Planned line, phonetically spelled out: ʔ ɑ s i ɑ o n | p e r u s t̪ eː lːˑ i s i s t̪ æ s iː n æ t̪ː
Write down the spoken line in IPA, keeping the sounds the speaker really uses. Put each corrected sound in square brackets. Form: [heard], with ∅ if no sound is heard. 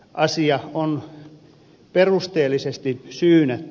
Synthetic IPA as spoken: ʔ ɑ s i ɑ o n | p e r u s t̪ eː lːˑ i s [e] s t̪ [i] s [yː] n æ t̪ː